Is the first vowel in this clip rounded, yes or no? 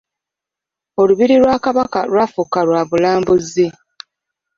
yes